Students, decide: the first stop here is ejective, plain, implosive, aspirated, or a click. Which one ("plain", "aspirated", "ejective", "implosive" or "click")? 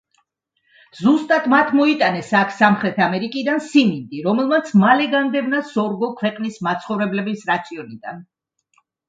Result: ejective